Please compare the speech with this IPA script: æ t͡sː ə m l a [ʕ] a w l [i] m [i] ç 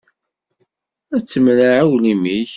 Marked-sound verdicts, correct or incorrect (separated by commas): correct, correct, correct